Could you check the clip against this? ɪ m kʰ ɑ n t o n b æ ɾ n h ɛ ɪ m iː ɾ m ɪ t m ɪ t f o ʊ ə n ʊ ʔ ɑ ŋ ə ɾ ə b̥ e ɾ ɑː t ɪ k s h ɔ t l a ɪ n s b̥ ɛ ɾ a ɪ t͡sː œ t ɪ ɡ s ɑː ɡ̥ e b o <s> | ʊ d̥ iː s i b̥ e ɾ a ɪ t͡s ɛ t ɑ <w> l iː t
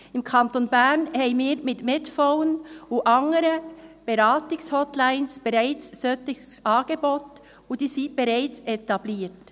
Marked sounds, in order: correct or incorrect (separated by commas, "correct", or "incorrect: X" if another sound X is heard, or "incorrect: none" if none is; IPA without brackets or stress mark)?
incorrect: t, incorrect: b